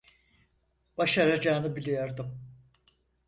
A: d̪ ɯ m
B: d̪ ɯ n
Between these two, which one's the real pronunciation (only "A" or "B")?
A